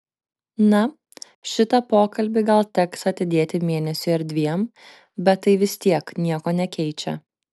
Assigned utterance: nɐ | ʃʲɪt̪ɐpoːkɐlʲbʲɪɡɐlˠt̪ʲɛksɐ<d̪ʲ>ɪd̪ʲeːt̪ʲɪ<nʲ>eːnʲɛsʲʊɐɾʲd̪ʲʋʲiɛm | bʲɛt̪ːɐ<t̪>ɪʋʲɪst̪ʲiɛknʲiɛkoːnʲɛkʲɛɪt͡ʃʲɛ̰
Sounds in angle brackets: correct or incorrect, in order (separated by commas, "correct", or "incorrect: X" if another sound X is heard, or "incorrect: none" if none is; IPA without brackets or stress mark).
incorrect: t̪ʲ, incorrect: mʲ, incorrect: none